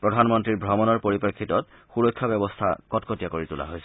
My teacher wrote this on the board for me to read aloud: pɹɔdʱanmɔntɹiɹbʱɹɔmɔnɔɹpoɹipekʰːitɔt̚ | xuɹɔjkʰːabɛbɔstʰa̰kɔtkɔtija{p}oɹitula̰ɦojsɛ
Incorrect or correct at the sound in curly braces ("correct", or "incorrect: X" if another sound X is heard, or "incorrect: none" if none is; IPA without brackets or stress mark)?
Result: incorrect: k